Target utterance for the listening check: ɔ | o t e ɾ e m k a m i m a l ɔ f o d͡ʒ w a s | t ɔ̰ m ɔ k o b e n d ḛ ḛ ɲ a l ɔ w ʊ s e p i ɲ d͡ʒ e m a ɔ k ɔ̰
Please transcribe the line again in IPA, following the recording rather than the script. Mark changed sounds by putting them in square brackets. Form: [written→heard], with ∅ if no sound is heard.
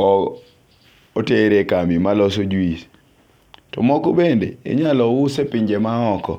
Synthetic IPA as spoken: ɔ | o t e ɾ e [m→∅] k a m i m a l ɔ [f→s] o d͡ʒ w [a→i] s | t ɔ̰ m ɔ k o b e n d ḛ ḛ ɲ a l ɔ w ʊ s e p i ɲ d͡ʒ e m a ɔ k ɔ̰